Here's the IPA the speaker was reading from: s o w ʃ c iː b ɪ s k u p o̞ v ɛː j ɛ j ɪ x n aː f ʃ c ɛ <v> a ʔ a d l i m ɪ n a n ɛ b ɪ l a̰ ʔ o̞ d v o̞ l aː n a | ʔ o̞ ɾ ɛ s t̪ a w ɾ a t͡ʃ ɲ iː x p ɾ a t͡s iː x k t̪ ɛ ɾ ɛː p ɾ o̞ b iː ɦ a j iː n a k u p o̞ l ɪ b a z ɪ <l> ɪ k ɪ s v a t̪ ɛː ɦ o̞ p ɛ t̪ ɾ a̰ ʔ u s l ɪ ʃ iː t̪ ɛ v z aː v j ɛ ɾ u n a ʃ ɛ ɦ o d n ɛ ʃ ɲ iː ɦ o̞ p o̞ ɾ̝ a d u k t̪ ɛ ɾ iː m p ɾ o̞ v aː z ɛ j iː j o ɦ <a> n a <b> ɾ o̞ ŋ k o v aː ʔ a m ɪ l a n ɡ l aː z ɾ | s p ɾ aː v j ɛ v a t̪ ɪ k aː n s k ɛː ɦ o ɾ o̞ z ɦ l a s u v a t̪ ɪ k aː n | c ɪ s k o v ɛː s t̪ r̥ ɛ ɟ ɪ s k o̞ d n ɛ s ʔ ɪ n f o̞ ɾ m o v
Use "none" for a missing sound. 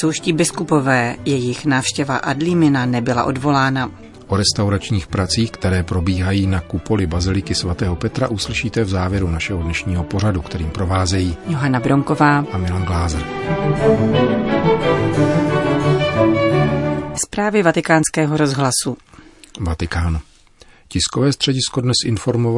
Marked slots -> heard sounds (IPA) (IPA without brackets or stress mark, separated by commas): v, l, a, b